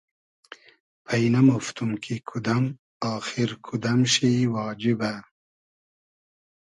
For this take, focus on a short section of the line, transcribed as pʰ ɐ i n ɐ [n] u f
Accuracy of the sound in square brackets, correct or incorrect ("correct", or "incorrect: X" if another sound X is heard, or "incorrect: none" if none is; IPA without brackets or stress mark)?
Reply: incorrect: m